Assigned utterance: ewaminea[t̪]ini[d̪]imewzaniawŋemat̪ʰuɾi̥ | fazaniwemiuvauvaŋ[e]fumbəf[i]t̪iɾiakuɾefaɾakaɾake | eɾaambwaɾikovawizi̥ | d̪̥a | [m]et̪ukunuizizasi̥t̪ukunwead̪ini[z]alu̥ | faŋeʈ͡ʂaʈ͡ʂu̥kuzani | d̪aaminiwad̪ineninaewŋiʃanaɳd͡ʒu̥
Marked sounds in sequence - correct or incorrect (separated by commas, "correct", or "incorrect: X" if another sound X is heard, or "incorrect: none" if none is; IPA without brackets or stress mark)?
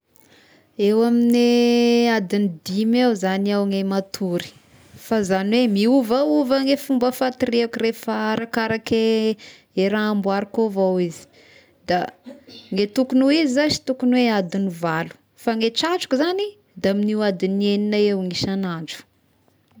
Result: incorrect: d̪, correct, correct, incorrect: a, incorrect: ŋ, incorrect: v